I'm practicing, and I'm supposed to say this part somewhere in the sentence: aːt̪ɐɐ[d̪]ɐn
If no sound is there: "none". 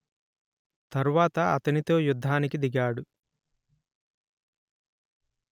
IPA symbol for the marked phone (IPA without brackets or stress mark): t̪